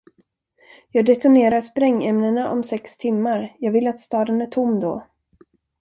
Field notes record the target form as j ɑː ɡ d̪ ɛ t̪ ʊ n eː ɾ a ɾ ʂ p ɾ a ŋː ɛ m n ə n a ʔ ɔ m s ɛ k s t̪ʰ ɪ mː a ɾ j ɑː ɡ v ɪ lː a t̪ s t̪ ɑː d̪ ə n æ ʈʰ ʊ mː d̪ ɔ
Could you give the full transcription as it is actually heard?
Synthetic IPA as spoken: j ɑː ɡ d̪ ɛ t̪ ʊ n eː ɾ a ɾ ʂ p ɾ ɛ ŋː ɛ m n ə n a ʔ ɔ m s ɛ k s t̪ʰ ɪ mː a ɾ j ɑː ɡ v ɪ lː a t̪ s t̪ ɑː d̪ ə n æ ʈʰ ʊ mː d̪ ɔ

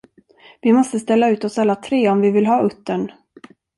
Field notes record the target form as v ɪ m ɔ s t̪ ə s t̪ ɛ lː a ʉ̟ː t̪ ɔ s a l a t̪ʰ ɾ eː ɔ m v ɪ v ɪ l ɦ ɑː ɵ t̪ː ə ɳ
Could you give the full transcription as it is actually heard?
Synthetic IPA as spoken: v ɪ m ɔ s t̪ ə s t̪ ɛ lː a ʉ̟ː t̪ ɔ s a lː a t̪ʰ ɾ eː ɔ m v ɪ v ɪ l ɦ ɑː ɵ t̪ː ə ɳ

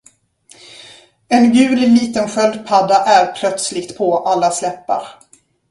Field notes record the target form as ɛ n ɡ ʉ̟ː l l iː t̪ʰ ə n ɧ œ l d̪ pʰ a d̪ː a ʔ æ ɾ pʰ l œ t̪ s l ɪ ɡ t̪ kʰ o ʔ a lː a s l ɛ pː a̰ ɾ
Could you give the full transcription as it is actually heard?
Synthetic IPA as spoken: ɛ n ɡ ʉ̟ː l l iː t̪ ə n ɧ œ l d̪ pʰ a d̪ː a ʔ æ ɾ pʰ l œ t̪ s l ɪ ɡ t̪ pʰ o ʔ a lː a s l ɛ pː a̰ ɾ

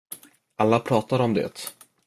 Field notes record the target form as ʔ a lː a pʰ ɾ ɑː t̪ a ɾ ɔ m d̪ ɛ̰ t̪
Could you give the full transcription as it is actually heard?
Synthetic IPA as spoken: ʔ a lː a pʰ ɾ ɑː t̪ a ɾ ɔ m d̪ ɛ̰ t̪

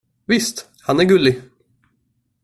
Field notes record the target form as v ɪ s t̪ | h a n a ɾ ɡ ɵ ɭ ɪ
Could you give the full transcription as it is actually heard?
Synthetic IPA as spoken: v ɪ s t̪ | h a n æ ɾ ɡ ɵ l ɪ

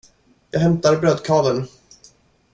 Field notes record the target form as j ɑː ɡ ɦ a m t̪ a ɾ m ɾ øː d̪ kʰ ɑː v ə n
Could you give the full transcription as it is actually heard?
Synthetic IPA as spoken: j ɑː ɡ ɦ ɛ m t̪ a ɾ b ɾ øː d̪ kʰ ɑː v ə n

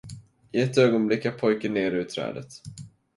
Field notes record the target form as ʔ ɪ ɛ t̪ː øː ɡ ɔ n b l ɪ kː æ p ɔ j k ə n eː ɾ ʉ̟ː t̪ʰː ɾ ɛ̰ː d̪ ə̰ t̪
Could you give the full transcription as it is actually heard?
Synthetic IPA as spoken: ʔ ɪ ɛ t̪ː øː ɡ ɔ n b l ɪ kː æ pʰ ɔ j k ə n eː ɾ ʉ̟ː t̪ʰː ɾ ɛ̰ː d̪ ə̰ t̪

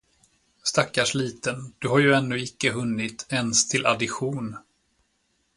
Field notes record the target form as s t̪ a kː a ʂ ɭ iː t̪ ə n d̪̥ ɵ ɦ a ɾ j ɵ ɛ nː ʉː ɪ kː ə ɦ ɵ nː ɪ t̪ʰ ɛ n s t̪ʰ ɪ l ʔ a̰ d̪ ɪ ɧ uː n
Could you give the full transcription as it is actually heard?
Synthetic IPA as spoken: s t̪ a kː a ʂ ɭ iː t̪ ə n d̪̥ ɵ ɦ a ɾ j ɵ ɛ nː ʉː ɪ kː ə ɦ ɵ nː ɪ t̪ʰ ɛ n s t̪ʰ ɪ l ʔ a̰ d̪ ɪ ɧ uː n

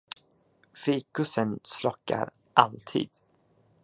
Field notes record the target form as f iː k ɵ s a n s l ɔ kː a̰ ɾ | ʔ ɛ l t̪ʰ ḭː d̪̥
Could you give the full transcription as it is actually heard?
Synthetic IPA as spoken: f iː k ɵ s ə n s l ɔ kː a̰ ɾ | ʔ a l t̪ʰ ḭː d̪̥

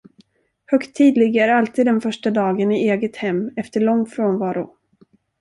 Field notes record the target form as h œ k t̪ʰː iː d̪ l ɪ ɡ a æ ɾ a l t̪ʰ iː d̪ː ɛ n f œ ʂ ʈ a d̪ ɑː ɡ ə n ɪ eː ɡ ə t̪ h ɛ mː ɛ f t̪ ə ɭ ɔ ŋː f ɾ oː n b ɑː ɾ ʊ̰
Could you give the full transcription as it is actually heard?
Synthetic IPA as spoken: h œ k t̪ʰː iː d̪ l ɪ ɡ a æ ɾ a l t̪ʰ iː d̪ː ɛ n f œ ʂ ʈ a d̪ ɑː ɡ ə n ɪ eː ɡ ə t̪ h ɛ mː ɛ f t̪ ə ɭ ɔ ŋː f ɾ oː n v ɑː ɾ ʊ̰

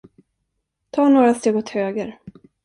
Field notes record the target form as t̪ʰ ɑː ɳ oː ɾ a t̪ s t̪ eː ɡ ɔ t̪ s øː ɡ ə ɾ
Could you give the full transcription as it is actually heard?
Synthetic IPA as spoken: t̪ʰ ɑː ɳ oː ɾ a s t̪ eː ɡ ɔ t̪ h øː ɡ ə ɾ

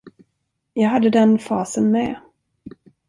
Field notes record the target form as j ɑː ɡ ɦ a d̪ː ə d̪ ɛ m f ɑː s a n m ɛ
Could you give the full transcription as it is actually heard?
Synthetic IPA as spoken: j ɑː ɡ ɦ a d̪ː ə d̪ ɛ n f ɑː s ə n m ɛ

